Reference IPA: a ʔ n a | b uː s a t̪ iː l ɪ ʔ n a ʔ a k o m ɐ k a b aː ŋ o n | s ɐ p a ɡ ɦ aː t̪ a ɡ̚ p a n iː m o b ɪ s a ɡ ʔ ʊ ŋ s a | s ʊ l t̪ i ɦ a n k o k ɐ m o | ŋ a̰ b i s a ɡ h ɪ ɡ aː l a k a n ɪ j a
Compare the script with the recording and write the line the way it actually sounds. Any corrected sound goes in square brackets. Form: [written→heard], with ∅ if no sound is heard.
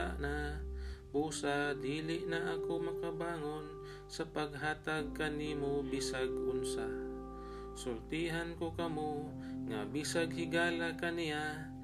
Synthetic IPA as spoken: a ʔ n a | b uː s a [t̪→d̪] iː l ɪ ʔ n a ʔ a k o m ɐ k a b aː ŋ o n | s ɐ p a ɡ ɦ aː t̪ a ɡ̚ [p→k] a n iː m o b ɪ s a ɡ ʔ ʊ [ŋ→n] s a | s ʊ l t̪ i ɦ a n k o k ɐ m o | ŋ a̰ b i s a ɡ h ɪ ɡ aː l a k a n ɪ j a